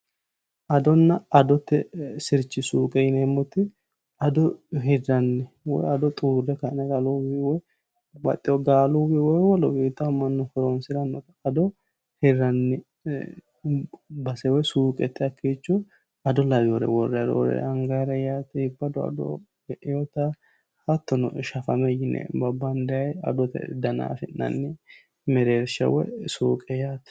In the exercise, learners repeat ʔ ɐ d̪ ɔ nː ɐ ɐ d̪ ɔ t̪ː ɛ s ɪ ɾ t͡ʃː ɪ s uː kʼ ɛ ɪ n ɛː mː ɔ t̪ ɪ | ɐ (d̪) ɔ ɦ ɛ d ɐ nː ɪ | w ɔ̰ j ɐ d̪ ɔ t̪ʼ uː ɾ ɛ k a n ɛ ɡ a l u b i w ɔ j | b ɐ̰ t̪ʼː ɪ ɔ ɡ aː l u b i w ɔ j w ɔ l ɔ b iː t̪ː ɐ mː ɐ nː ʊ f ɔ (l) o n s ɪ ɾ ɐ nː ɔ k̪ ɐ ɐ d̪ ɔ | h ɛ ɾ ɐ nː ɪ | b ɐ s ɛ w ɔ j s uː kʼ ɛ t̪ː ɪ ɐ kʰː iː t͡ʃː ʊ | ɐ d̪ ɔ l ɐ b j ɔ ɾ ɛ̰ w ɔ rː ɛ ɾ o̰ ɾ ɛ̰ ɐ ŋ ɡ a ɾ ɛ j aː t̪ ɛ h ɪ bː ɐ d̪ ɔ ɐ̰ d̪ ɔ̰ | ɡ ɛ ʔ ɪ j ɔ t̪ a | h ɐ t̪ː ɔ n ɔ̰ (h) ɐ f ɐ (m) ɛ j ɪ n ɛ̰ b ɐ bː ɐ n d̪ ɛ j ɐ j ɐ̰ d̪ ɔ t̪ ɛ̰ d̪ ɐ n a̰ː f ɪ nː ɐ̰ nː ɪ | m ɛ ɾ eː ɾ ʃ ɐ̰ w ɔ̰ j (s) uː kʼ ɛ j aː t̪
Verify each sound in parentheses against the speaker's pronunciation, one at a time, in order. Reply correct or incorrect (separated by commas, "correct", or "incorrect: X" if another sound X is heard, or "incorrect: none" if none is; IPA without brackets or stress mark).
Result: correct, incorrect: ɾ, incorrect: ʃ, correct, correct